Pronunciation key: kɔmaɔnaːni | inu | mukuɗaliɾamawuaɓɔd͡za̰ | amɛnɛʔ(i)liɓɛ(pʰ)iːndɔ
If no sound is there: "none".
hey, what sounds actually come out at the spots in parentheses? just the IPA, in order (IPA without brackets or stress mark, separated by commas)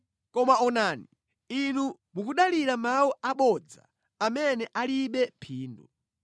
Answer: a, pʰ